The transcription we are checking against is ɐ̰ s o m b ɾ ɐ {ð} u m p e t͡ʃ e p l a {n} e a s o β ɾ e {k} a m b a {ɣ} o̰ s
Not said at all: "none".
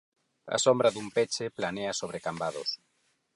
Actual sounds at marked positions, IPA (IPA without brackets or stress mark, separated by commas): ð, n, k, ð